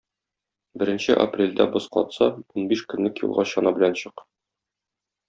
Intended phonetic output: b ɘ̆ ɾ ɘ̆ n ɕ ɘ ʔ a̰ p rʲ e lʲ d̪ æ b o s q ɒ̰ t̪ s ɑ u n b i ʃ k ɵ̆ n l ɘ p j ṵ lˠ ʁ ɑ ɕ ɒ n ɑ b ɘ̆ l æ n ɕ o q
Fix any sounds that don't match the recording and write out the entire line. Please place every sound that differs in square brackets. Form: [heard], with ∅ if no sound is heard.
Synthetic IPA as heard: b ɘ̆ ɾ ɘ̆ n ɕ ɘ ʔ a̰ p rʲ e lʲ d̪ æ b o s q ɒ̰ t̪ s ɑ u n b i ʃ k ɵ̆ n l ɘ [k] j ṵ lˠ ʁ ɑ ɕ ɒ n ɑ b ɘ̆ l æ n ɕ [ɤ] q